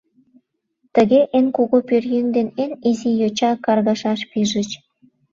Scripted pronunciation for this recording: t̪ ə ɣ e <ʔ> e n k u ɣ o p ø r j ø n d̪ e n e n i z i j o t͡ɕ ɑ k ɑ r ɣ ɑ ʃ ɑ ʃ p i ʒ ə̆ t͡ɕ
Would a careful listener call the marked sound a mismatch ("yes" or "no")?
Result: no